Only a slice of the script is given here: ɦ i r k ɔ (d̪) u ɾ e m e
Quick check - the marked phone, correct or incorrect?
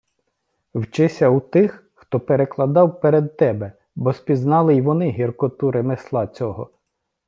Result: incorrect